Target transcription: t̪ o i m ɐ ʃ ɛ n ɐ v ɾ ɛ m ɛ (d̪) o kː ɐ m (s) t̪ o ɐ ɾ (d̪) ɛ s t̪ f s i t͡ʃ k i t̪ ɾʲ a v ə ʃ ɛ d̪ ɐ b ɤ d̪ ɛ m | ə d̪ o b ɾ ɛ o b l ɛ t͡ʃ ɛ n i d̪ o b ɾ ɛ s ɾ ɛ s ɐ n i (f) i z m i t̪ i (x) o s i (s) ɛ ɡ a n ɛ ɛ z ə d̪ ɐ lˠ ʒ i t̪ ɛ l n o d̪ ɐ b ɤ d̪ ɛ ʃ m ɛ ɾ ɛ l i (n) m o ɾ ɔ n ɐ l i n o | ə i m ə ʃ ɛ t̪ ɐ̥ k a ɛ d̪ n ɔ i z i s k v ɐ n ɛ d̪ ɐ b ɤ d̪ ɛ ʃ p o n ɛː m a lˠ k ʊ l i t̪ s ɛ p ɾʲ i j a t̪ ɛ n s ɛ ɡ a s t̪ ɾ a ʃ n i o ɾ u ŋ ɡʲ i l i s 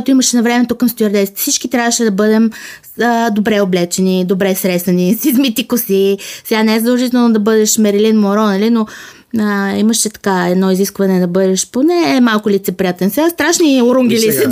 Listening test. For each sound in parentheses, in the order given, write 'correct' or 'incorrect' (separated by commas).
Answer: incorrect, correct, correct, incorrect, incorrect, correct, correct